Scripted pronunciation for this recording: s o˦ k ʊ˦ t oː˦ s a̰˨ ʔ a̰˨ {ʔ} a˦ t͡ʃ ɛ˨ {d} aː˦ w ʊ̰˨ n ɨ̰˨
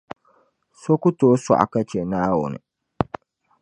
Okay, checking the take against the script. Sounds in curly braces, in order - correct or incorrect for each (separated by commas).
incorrect, incorrect